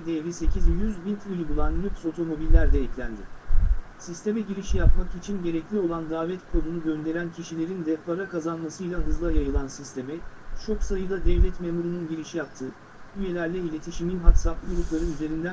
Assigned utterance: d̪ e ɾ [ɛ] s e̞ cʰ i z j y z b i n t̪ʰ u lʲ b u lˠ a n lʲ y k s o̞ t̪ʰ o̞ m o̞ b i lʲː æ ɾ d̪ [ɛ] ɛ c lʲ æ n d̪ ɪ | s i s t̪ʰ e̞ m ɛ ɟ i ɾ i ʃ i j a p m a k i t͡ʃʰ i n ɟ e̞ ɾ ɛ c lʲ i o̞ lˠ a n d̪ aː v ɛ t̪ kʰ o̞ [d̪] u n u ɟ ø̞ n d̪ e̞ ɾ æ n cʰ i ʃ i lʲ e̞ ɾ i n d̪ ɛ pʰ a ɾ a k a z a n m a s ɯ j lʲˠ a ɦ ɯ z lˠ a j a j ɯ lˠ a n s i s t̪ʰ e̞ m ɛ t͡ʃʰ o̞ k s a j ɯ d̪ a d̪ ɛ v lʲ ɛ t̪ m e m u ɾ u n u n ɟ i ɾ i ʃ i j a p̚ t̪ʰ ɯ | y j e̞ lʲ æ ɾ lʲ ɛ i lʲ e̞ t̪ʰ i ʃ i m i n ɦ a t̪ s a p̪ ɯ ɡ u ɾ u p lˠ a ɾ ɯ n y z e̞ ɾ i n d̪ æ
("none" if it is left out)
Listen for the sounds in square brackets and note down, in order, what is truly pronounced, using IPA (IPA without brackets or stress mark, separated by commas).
i, ɛ, d̪